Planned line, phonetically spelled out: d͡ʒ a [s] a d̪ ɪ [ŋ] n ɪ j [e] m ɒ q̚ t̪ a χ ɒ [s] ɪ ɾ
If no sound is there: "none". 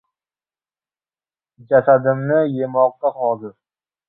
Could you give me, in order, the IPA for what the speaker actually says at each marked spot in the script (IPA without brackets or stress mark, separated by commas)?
s, m, e, z